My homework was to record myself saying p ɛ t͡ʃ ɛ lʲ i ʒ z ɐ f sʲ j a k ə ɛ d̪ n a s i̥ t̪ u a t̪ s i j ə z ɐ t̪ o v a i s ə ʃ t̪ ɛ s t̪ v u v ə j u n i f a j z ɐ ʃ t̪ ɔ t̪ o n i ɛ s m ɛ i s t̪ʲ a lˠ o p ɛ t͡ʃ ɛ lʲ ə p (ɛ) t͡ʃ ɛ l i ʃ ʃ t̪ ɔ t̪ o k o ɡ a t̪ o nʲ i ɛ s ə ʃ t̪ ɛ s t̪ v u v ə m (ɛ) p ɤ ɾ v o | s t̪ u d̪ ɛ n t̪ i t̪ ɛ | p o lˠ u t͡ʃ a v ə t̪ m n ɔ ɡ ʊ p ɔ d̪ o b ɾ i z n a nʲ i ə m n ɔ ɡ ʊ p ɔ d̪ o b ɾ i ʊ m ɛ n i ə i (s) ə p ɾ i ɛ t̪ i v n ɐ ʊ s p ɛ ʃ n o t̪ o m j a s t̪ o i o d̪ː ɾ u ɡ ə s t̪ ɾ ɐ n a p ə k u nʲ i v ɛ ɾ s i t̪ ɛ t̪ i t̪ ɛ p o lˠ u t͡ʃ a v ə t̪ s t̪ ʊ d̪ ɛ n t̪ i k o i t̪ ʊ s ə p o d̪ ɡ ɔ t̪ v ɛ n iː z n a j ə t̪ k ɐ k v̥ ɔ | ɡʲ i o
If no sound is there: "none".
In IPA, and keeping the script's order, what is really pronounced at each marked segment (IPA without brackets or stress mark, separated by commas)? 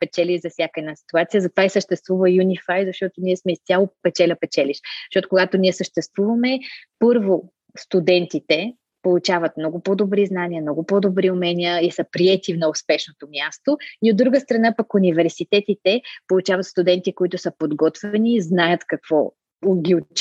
ɛ, ɛ, s